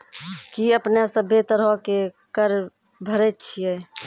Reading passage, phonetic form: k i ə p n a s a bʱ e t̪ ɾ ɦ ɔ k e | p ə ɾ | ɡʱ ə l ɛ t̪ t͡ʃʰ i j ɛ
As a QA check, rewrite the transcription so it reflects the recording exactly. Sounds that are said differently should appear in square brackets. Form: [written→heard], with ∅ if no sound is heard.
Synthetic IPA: k i ə p n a s [a→ə] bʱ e t̪ ɾ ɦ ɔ k e | [p→k] ə ɾ | [ɡʱ→bʱ] ə [l→ɾ] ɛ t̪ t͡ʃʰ i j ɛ